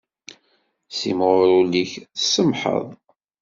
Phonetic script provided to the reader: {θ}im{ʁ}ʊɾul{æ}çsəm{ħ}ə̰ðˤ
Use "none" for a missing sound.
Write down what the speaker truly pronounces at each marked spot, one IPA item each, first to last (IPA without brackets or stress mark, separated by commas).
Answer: s, ʁ, i, ħ